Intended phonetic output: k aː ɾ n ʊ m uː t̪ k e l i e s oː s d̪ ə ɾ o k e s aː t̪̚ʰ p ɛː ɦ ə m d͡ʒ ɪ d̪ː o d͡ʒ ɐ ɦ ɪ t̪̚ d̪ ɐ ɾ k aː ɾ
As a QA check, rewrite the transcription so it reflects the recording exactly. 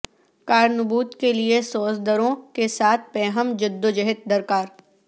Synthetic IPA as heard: k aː ɾ n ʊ b uː t̪ k e l i e s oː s d̪ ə ɾ õ k e s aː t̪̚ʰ p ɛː ɦ ə m d͡ʒ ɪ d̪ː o d͡ʒ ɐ ɦ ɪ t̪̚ d̪ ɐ ɾ k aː ɾ